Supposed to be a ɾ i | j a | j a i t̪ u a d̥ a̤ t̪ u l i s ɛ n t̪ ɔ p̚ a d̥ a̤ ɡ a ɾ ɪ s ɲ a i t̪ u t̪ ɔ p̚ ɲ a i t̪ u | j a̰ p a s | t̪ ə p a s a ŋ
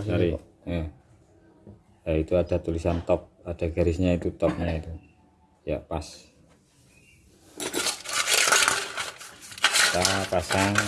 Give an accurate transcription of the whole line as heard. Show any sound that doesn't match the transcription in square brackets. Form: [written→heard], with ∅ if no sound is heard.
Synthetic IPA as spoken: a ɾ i | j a | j a i t̪ u a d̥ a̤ t̪ u l i s [ɛ→a] n t̪ ɔ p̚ a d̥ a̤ ɡ a ɾ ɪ s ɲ a i t̪ u t̪ ɔ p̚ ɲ a i t̪ u | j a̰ p a s | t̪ [ə→a] p a s a ŋ